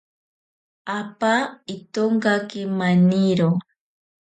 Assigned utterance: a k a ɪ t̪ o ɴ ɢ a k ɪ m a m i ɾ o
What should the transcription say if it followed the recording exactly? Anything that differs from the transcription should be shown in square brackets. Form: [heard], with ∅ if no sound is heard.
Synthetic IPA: a [p] a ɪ t̪ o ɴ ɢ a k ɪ m a [n] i ɾ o